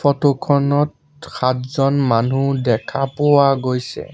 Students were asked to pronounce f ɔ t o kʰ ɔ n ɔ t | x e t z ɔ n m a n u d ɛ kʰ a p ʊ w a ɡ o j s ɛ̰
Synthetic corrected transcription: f ɔ t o kʰ ɔ n ɔ t | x a t z ɔ n m a n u d ɛ kʰ a p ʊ w a ɡ o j s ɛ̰